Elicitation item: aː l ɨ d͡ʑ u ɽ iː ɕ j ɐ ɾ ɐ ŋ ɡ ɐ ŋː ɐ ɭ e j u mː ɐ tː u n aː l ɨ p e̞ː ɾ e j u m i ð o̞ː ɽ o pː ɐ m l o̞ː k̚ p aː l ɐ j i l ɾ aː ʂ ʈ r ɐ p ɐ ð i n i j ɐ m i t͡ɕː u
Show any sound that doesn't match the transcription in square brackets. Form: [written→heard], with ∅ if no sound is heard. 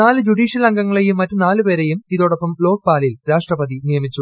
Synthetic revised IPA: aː l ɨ d͡ʑ u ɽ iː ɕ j ɐ [ɾ→l] ɐ ŋ ɡ ɐ ŋː ɐ ɭ e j u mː ɐ tː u n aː l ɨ p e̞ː ɾ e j u m i ð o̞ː ɽ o pː ɐ m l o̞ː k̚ p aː l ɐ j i l ɾ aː ʂ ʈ r ɐ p ɐ ð i n i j ɐ m i t͡ɕː u